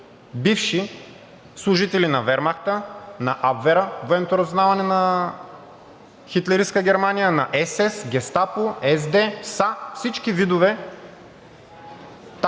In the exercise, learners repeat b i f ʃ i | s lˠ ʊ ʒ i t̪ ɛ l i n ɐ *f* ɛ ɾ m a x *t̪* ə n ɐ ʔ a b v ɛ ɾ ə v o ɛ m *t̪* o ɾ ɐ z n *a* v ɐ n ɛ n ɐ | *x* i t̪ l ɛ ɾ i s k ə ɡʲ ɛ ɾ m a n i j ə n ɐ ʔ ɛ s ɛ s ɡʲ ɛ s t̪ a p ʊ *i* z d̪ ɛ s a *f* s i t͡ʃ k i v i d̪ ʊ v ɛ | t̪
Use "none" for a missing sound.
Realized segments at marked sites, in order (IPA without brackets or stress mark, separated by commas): v, t̪, t̪, a, x, ɛ, f